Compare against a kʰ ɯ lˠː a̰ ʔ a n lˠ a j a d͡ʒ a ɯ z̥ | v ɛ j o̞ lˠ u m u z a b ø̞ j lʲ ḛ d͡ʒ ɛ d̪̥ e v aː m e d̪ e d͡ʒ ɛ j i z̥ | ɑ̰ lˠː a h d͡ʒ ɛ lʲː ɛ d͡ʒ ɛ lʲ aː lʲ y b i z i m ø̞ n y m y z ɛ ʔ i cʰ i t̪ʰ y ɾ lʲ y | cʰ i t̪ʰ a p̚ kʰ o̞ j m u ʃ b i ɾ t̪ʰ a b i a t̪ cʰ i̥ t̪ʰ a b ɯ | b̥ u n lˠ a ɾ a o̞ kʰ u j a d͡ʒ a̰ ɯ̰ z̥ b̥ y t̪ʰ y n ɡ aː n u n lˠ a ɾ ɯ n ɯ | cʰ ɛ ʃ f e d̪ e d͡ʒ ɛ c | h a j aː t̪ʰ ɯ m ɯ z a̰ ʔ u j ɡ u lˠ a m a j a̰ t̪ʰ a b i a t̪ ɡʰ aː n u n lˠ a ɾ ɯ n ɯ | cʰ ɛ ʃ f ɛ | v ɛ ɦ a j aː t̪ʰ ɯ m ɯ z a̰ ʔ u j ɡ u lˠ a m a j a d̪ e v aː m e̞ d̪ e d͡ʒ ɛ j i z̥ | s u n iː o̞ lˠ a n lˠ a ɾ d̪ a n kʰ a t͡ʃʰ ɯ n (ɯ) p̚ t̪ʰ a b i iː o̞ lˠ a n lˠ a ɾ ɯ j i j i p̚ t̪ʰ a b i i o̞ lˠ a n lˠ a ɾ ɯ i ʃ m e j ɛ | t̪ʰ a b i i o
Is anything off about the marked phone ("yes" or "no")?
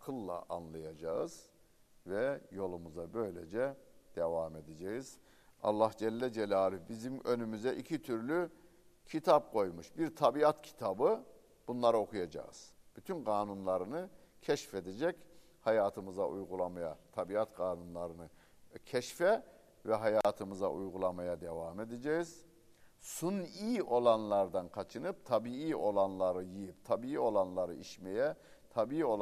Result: no